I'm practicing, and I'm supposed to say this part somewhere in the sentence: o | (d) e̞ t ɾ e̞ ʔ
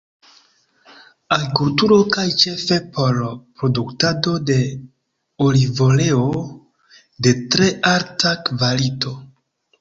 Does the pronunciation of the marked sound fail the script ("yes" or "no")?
no